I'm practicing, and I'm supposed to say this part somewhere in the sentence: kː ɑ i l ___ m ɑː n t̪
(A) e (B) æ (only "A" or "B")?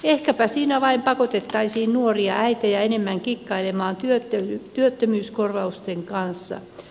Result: A